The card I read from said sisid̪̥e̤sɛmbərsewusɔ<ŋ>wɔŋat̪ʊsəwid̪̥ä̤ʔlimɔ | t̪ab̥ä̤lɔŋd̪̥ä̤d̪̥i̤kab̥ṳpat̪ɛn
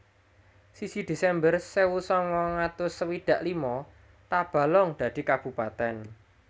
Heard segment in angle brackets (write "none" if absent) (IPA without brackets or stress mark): ŋ